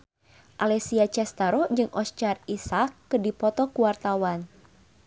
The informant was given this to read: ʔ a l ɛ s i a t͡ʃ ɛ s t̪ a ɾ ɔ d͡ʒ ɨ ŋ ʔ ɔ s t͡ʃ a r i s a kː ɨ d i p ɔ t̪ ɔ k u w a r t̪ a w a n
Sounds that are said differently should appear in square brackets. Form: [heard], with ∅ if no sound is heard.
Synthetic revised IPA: ʔ a l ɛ s i a t͡ʃ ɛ s t̪ a ɾ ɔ d͡ʒ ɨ ŋ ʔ ɔ s t͡ʃ a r i s a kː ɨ d i p ɔ t̪ ɔ k u w a r t̪ a w a n